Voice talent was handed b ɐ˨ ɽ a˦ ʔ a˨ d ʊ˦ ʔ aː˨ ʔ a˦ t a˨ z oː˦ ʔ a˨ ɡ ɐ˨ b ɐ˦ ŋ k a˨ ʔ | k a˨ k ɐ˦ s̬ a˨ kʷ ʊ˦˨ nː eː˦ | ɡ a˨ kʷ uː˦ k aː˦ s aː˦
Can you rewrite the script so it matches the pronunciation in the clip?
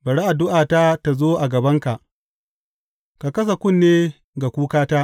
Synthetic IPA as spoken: b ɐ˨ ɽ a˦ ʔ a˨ d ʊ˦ ʔ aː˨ t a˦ t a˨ z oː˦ ʔ a˨ ɡ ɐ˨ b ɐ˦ ŋ k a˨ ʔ | k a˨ k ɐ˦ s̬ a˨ kʷ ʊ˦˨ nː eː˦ | ɡ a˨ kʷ uː˦ k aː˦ t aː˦